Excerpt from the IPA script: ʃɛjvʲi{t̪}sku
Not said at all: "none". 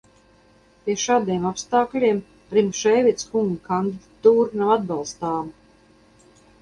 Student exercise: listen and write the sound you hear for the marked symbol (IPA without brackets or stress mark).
t̪